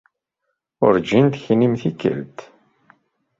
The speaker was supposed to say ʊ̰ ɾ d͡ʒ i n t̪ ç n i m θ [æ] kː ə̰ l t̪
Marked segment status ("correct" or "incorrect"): incorrect